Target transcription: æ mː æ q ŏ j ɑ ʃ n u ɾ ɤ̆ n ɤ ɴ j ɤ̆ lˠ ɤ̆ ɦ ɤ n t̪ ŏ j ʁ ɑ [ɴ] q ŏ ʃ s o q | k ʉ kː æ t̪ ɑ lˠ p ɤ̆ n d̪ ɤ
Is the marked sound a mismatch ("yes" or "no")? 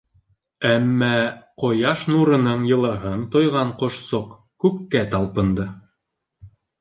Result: no